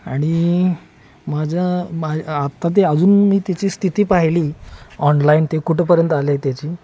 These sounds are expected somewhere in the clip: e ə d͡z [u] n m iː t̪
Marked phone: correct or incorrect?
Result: incorrect